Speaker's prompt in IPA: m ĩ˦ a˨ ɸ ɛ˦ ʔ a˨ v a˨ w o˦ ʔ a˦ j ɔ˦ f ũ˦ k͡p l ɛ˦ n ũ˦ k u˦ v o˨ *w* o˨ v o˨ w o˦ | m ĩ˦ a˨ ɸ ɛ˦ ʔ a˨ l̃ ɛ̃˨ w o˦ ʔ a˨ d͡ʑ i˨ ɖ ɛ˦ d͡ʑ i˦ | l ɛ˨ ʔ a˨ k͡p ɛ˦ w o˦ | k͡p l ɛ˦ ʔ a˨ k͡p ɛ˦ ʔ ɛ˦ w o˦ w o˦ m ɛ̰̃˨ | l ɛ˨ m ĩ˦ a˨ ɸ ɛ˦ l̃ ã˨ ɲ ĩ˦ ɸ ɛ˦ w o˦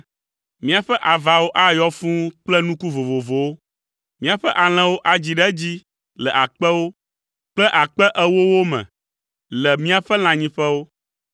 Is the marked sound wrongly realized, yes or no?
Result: yes